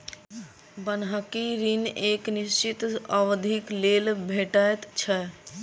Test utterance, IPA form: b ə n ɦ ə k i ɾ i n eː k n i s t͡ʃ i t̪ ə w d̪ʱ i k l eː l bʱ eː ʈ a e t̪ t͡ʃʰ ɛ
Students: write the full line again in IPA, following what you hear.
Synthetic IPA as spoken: b ə n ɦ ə k i ɾ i n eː k n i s t͡ʃ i t̪ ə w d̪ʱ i k l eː l bʱ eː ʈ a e t̪ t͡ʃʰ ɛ